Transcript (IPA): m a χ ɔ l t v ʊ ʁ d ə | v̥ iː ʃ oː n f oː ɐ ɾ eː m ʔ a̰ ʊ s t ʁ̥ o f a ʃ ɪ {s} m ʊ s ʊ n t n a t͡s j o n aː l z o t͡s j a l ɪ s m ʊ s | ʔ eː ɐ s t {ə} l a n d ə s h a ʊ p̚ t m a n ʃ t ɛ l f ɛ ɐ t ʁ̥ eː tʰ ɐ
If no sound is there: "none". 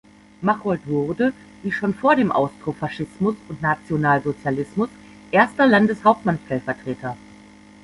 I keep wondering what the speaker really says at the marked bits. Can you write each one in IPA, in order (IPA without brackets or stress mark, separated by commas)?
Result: s, ɐ